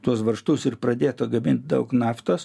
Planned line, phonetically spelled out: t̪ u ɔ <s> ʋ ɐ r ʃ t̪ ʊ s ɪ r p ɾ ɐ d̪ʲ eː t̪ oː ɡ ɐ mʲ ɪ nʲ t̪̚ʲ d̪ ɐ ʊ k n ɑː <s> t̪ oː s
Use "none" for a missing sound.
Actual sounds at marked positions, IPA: s, f

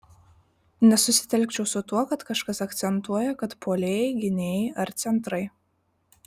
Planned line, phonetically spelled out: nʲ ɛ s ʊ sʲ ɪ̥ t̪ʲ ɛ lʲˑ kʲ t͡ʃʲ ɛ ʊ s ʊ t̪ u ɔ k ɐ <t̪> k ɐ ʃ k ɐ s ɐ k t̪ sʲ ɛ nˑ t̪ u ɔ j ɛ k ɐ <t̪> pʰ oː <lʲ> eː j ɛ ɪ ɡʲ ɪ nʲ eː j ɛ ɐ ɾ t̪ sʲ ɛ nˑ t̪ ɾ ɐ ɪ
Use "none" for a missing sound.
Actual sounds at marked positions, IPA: t̪, t̪, lʲ

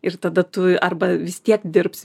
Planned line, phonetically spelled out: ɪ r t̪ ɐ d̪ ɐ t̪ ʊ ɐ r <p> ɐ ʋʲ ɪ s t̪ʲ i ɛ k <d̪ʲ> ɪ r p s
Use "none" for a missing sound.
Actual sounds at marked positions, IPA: b, d̪ʲ

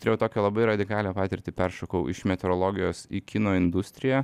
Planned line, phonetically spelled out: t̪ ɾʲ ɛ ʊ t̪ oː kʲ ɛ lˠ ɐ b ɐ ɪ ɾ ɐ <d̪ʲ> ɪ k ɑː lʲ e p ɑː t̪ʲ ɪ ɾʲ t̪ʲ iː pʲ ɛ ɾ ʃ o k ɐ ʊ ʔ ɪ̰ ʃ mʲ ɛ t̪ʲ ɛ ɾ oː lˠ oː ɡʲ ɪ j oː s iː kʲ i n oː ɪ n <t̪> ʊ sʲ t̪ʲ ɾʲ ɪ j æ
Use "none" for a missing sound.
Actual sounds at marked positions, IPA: d̪ʲ, d̪

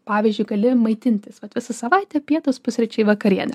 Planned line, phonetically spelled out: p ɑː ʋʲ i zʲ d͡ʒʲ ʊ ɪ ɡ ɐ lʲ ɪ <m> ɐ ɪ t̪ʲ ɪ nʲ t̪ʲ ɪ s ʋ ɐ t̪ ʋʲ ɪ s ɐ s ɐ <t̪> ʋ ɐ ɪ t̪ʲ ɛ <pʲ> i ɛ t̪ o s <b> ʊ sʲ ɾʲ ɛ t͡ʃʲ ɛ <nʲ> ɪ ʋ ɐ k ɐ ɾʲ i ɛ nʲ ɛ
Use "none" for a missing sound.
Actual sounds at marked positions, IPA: m, none, pʲ, p, none

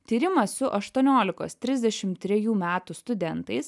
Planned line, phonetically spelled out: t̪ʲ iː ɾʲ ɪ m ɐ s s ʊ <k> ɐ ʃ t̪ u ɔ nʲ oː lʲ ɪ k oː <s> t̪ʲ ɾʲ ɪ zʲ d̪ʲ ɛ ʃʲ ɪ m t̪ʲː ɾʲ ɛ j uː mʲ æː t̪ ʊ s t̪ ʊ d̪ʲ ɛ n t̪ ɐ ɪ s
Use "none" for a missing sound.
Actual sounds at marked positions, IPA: ʔ, s

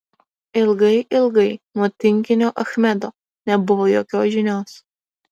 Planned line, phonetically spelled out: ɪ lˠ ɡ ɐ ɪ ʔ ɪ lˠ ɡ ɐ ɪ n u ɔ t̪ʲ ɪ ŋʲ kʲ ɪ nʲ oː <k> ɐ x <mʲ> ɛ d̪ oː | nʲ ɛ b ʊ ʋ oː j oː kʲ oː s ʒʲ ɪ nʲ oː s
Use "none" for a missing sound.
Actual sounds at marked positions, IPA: ʔ, mʲ

